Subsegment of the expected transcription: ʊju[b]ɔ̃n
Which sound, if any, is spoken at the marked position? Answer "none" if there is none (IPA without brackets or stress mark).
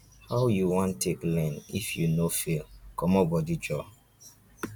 w